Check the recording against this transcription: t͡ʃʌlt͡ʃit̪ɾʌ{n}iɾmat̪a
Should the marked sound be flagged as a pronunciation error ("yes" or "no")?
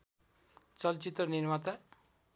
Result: no